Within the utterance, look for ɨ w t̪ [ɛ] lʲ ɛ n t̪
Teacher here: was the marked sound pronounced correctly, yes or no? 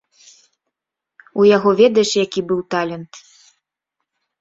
no